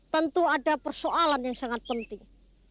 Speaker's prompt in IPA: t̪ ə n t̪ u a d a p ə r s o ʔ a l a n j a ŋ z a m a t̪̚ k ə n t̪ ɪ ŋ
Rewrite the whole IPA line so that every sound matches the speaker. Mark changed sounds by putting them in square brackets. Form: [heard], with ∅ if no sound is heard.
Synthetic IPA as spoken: t̪ ə n t̪ u a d a p ə r s o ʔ a l a n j a ŋ [s] a [ŋ] a t̪̚ [p] ə n t̪ ɪ ŋ

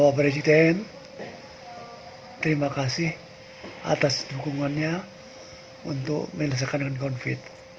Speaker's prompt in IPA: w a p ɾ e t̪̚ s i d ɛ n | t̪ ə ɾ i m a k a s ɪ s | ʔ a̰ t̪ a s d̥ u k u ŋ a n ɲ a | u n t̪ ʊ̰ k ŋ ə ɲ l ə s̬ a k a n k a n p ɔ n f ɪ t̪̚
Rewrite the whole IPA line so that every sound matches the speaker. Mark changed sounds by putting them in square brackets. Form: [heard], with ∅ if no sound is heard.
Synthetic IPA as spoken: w a p ɾ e [∅] s i d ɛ n | t̪ ə ɾ i m a k a s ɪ [h] | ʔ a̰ t̪ a s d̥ u k u ŋ a n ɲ a | u n t̪ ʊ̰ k [m] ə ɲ l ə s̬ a k a n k a n [k] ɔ n f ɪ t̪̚

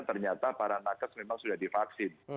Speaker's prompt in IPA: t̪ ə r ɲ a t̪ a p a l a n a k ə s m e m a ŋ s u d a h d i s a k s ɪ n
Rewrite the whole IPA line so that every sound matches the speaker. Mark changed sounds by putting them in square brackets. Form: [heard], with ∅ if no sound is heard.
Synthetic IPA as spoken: t̪ ə r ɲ a t̪ a p a [ɾ] a n a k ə s m e m a ŋ s u d a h d i [f] a k s ɪ n

